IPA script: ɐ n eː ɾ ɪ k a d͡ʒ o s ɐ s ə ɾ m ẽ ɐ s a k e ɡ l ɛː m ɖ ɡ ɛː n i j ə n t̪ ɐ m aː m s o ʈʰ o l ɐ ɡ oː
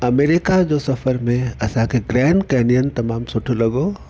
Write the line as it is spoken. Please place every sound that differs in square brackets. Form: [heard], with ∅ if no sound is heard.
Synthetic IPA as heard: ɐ [m] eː ɾ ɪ k a d͡ʒ o s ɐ [f] ə ɾ m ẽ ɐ s a k e ɡ [ɾ] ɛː [ɳ] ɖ [k] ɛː n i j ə n t̪ ɐ m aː m s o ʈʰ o l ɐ ɡ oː